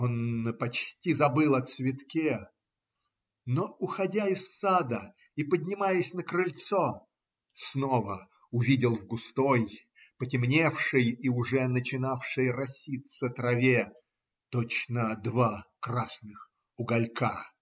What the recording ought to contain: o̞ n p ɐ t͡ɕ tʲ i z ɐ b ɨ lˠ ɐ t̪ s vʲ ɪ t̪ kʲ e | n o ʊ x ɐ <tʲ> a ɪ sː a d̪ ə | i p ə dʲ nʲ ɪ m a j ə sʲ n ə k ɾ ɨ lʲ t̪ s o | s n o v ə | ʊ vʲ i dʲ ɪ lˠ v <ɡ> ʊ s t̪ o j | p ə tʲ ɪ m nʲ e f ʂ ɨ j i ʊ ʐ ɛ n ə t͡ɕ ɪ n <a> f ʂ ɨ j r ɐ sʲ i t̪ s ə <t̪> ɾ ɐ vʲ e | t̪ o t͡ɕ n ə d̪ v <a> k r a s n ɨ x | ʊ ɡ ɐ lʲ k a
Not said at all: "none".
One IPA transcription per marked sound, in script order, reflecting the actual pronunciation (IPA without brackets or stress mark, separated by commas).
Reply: dʲ, ɡ, a, t̪, a